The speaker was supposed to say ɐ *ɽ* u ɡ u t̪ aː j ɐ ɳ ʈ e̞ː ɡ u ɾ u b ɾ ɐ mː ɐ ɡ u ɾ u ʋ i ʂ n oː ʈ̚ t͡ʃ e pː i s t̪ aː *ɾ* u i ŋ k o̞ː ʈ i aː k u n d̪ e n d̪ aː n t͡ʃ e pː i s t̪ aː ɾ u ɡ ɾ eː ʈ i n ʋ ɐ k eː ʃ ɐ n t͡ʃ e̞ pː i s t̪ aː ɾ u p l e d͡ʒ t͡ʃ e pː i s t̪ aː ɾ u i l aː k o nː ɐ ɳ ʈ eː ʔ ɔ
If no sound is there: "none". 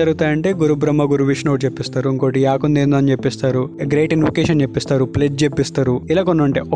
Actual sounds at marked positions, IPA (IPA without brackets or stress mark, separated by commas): ɾ, ɾ